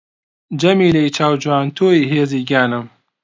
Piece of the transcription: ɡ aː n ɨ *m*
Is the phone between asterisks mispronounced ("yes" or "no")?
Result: no